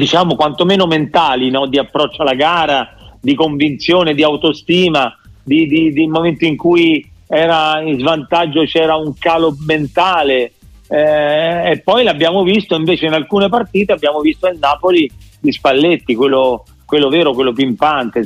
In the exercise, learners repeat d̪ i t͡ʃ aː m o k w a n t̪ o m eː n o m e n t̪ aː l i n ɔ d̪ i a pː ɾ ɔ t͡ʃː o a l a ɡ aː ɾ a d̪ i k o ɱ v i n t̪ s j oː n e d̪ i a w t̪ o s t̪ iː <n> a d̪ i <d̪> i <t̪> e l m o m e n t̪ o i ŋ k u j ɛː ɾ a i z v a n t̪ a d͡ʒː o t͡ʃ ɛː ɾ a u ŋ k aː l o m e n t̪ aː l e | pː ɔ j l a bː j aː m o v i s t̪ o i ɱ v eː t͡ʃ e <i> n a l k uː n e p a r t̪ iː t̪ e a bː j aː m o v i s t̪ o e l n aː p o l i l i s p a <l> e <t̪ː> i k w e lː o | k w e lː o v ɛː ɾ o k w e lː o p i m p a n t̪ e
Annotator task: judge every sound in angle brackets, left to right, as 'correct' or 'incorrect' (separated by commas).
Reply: incorrect, correct, incorrect, correct, incorrect, correct